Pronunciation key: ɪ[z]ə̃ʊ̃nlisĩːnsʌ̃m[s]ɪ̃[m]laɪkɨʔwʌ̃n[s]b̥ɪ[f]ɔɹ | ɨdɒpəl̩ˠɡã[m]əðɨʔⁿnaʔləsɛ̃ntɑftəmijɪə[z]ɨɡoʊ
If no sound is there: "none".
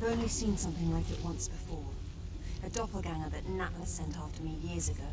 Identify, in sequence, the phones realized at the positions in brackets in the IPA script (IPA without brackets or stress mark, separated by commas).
v, θ, ŋ, s, f, ŋ, z